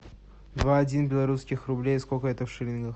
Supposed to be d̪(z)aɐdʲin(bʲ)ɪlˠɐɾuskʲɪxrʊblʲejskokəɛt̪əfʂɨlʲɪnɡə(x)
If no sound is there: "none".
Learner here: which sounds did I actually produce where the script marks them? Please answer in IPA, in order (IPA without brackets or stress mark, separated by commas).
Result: v, bʲ, x